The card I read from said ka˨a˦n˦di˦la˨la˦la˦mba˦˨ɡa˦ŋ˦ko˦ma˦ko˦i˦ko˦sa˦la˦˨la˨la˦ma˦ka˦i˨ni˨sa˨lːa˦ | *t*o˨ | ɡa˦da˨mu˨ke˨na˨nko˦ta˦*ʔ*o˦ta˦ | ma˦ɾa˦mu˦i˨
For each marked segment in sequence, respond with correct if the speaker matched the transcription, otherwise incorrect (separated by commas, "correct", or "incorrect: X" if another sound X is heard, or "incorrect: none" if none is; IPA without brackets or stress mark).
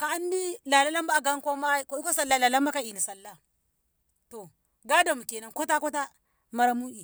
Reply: correct, incorrect: k